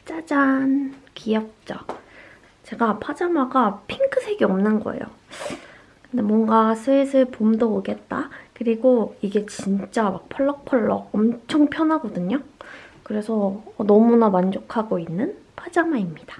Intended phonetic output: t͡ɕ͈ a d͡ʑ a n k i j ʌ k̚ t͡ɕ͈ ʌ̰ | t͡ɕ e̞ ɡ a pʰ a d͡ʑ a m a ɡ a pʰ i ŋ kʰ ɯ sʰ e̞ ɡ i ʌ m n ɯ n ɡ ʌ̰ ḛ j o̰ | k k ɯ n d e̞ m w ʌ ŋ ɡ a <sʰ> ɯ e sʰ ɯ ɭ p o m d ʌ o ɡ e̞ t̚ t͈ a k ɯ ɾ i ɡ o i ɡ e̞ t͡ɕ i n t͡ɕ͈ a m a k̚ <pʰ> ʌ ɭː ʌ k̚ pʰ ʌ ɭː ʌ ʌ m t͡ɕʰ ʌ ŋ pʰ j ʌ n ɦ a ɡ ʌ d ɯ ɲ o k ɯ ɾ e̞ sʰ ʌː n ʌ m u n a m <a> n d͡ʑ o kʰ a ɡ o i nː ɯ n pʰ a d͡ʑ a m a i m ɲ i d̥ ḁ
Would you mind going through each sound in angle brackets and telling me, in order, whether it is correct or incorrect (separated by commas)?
correct, correct, correct